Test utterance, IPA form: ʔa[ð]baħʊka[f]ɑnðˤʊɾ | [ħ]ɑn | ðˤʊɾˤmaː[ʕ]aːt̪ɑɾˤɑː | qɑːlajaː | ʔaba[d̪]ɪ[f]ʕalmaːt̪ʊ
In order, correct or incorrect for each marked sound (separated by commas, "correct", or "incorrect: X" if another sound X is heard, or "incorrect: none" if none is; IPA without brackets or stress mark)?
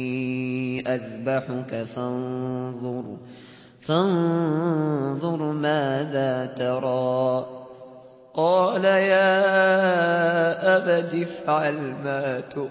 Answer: correct, correct, incorrect: f, incorrect: ð, correct, correct